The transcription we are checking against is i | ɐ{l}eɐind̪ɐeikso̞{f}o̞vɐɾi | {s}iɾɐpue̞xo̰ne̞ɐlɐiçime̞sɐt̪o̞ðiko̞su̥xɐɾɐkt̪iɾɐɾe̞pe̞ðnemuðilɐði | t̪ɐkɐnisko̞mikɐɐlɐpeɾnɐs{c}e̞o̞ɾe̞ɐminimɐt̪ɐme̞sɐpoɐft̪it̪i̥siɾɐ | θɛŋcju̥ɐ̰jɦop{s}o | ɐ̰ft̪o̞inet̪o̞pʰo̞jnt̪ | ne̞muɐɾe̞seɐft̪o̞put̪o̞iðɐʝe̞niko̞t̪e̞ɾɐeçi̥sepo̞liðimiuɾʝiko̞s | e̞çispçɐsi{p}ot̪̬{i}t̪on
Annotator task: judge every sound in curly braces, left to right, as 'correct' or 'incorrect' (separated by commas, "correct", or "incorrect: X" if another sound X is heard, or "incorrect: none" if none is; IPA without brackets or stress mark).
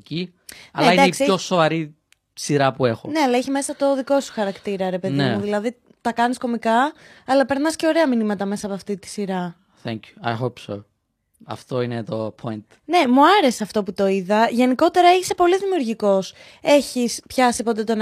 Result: correct, incorrect: s, correct, correct, correct, correct, incorrect: e